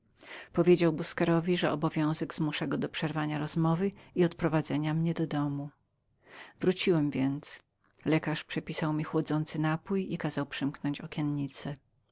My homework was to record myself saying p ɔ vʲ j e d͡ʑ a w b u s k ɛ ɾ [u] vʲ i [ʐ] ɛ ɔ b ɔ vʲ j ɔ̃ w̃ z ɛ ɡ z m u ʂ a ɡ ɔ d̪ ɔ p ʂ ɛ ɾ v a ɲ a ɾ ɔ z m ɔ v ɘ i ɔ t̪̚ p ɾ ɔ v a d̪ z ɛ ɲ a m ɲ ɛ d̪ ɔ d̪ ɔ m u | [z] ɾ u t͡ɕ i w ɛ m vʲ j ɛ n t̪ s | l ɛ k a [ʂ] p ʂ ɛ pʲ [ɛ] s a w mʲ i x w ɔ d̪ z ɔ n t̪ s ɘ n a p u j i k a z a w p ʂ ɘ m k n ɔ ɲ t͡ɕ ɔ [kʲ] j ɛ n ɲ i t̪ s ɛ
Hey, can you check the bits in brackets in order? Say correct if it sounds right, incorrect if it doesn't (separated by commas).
incorrect, correct, incorrect, correct, incorrect, correct